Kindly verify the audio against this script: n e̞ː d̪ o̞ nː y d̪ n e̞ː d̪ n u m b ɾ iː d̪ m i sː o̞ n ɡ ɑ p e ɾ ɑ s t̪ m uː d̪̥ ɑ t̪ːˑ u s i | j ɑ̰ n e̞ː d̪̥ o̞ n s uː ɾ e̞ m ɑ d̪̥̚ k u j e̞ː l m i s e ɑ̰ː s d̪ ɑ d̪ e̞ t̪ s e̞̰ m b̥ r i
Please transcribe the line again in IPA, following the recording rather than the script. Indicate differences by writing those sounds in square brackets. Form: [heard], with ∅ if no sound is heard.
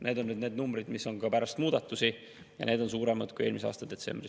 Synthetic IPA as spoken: n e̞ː d̪ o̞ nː y d̪ n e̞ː d̪ n u m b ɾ [i] d̪ m i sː o̞ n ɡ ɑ p [æ] ɾ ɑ s t̪ m uː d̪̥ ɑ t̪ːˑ u s i | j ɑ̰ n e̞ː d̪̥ o̞ n s uː ɾ e̞ m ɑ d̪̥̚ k u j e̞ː l m i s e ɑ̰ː s [t̪] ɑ d̪ e̞ t̪ s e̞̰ m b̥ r i